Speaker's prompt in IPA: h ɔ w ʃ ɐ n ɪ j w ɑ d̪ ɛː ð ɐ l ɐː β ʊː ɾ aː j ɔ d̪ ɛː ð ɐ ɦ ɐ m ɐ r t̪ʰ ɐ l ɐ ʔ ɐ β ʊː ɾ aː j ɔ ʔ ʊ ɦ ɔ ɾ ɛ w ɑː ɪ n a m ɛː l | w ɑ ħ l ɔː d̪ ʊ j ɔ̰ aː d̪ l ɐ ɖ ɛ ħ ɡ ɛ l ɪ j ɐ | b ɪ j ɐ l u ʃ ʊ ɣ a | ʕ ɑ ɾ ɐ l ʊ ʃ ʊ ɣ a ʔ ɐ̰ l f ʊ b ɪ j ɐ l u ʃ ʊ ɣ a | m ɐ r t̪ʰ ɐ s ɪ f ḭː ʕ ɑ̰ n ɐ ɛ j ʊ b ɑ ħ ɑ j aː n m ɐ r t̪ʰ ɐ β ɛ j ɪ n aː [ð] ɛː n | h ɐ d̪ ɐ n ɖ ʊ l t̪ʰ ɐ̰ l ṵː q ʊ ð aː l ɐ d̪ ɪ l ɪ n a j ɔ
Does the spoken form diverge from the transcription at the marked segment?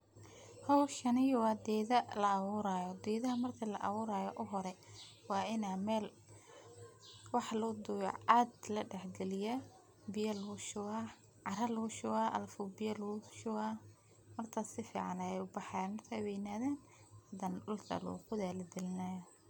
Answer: no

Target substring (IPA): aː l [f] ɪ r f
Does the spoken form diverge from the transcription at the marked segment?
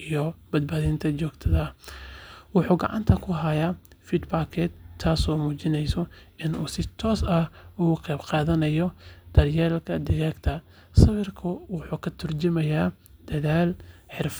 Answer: yes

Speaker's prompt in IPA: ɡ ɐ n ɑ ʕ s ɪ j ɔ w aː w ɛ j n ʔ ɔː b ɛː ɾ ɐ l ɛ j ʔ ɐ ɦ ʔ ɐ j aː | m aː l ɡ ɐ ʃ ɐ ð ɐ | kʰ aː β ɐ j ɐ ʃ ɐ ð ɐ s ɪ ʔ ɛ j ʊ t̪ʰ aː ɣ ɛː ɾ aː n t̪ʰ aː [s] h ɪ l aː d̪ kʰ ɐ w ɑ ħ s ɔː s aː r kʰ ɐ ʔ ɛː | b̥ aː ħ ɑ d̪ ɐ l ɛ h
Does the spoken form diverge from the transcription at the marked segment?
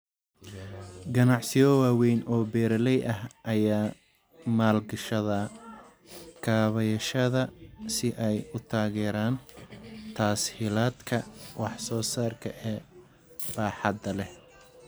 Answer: no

